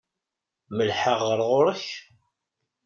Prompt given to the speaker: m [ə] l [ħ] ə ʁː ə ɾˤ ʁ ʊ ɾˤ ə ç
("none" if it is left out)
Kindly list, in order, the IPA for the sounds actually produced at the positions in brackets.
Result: ə, ħ

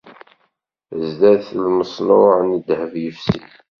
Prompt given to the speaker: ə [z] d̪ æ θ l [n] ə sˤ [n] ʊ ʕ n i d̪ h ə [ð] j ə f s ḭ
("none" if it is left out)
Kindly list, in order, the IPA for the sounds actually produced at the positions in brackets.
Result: z, m, n, v

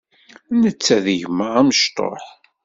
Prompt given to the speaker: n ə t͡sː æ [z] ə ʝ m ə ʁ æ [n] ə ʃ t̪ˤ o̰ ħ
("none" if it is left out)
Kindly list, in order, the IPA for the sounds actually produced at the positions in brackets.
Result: ð, m

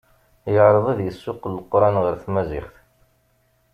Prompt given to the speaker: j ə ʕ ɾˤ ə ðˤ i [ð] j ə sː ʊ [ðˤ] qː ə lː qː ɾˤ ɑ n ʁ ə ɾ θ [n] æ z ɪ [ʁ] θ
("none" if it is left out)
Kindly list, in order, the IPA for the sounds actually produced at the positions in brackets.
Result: ð, none, m, χ

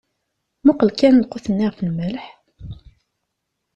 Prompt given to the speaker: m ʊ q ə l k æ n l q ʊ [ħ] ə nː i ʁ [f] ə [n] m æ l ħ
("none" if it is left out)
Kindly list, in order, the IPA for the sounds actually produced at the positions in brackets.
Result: θ, f, n

